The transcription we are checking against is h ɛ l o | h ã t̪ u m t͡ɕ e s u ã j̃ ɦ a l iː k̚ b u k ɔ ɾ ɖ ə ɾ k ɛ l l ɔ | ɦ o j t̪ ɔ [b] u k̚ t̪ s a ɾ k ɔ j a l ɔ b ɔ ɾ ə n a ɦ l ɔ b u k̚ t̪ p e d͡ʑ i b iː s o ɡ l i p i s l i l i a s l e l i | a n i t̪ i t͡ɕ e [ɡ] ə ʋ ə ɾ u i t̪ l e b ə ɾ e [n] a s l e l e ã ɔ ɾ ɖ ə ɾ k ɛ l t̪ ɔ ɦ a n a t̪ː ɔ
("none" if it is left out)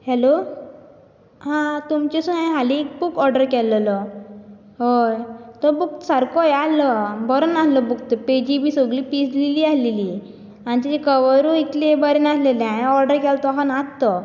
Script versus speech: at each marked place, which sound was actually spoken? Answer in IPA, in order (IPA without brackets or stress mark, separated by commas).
b, k, n